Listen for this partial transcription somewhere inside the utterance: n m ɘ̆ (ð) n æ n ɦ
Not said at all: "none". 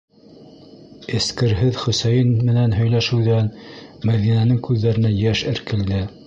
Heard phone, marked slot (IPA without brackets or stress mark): none